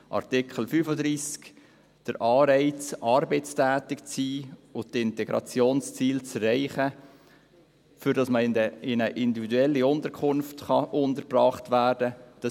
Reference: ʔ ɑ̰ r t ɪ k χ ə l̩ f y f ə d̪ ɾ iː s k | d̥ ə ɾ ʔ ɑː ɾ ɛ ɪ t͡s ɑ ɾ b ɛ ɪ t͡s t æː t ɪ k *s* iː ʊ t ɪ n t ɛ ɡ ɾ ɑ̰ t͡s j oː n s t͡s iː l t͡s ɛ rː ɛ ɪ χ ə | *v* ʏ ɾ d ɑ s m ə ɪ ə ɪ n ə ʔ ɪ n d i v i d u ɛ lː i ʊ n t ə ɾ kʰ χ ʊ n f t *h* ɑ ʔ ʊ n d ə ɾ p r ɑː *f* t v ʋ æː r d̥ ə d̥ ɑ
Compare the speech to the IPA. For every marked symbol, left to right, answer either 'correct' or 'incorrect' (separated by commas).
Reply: incorrect, incorrect, incorrect, incorrect